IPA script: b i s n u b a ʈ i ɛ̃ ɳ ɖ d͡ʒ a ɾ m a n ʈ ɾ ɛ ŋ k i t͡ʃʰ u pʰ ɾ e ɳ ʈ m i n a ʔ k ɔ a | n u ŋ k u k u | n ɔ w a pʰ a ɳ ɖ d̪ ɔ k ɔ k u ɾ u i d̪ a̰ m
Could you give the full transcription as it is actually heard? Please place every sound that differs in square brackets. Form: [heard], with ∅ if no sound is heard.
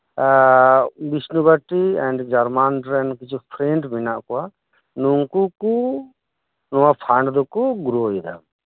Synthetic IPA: b i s n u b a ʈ i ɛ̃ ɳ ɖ d͡ʒ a ɾ m a n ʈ ɾ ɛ [n] k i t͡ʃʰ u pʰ ɾ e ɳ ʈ m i n a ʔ k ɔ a | n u ŋ k u k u | n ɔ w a pʰ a ɳ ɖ d̪ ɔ k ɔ [ɡ] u ɾ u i d̪ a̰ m